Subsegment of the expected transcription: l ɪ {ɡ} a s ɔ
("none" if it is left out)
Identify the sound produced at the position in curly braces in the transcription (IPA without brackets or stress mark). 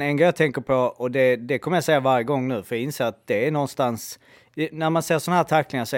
ŋ